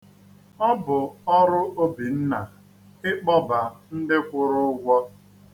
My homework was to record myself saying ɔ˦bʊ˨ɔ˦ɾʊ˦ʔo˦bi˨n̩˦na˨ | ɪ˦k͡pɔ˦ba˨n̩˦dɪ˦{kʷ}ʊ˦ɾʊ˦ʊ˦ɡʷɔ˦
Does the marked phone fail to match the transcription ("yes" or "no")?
no